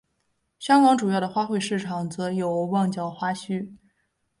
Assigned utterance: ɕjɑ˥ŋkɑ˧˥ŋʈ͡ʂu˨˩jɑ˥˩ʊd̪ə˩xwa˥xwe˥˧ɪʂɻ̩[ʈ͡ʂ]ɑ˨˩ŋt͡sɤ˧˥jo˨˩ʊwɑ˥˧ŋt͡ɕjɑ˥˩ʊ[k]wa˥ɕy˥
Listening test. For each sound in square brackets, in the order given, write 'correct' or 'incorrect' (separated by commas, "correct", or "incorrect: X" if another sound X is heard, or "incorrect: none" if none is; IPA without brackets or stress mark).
incorrect: ʈ͡ʂʰ, incorrect: x